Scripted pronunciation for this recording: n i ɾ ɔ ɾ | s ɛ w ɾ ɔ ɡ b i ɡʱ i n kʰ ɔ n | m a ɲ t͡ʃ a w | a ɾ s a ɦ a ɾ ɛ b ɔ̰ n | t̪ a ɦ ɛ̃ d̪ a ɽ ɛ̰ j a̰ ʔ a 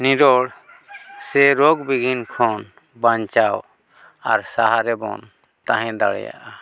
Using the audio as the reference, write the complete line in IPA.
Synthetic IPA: n i ɾ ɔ ɽ | s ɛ ɾ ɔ ɡ b i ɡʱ i n kʰ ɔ n | b a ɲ t͡ʃ a w | a ɾ s a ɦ a ɾ ɛ b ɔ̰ n | t̪ a ɦ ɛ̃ d̪ a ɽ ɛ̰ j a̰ ʔ a